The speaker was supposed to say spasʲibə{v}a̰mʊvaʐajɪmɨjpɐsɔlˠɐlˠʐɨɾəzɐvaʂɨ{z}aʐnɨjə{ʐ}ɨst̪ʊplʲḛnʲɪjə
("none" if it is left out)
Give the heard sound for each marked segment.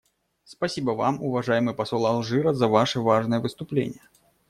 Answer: v, v, v

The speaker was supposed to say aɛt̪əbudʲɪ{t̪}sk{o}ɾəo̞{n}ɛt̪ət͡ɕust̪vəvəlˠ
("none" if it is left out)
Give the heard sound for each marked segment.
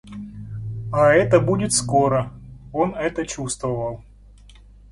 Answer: t̪, o, n

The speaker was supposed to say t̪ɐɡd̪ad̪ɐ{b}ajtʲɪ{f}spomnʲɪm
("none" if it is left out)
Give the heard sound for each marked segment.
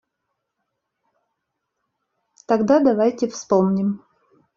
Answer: v, f

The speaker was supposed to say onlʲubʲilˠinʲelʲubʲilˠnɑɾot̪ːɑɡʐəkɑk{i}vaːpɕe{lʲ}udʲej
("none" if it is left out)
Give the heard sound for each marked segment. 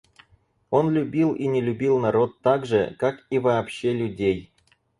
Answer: i, lʲ

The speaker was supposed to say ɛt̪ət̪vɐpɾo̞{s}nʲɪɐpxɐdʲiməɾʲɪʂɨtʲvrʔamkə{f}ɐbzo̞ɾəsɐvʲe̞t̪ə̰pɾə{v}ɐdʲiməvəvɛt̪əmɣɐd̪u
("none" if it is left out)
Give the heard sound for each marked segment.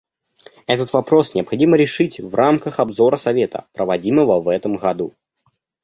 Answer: s, x, v

